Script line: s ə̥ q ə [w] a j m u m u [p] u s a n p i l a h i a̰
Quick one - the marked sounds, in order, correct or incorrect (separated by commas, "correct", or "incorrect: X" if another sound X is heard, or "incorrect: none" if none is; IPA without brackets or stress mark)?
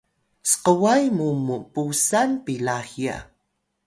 correct, correct